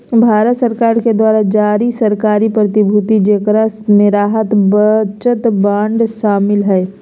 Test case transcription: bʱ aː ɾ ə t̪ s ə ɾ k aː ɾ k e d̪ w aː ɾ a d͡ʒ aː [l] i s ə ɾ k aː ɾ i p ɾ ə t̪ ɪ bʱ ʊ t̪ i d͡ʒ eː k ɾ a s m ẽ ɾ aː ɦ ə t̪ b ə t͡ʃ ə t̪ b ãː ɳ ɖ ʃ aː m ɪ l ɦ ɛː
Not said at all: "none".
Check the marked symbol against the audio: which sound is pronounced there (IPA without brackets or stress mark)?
ɾ